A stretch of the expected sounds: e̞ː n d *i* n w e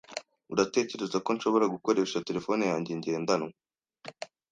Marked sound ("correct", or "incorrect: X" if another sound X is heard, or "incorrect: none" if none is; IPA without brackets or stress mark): incorrect: a